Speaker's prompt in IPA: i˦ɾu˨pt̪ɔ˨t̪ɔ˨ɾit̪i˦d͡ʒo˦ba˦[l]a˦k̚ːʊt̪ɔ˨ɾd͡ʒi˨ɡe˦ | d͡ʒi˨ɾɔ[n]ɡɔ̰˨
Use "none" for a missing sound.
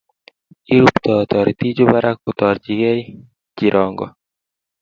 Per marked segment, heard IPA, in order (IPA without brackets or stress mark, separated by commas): ɾ, ŋ